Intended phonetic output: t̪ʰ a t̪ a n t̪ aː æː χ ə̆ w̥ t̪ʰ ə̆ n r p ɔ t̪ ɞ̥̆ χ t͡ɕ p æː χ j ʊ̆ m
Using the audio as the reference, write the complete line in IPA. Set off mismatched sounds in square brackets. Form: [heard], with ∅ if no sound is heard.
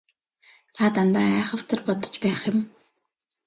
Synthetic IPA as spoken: t̪ʰ a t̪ a n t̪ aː æː χ ə̆ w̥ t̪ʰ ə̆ [∅] r p ɔ t̪ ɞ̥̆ [∅] t͡ɕ p æː χ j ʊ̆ m